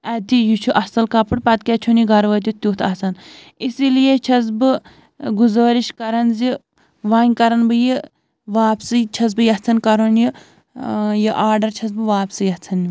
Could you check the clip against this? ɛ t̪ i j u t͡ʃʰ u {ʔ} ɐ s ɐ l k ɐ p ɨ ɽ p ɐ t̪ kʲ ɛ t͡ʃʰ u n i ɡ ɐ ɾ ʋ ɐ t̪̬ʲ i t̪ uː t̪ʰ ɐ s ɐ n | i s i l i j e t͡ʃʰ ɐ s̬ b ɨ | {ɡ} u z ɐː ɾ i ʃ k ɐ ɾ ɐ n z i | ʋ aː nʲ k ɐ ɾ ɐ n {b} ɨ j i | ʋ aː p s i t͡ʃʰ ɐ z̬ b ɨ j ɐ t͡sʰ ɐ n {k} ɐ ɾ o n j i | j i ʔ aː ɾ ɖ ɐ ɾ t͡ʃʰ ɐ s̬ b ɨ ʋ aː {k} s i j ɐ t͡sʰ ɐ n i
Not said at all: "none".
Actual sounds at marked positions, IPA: ʔ, ɡ, b, k, p

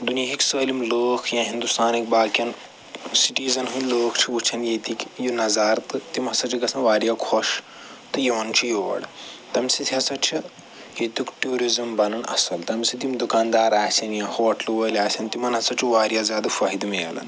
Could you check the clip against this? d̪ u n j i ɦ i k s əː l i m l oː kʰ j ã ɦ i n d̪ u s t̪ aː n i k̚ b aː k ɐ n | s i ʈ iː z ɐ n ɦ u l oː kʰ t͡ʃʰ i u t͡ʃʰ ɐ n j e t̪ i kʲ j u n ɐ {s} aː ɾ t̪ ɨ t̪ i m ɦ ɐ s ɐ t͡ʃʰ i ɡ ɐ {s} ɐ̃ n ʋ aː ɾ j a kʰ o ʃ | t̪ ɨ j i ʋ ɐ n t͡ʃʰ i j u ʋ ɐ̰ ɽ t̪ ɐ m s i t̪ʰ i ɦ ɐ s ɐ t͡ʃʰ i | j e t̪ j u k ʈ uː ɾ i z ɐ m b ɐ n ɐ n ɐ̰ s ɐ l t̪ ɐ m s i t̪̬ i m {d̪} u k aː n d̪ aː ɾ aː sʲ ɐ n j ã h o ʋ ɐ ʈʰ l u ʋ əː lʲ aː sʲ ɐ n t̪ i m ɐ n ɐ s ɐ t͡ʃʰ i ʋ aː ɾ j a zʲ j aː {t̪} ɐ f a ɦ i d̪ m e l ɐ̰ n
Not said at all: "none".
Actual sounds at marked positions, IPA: z, s, d̪, d̪

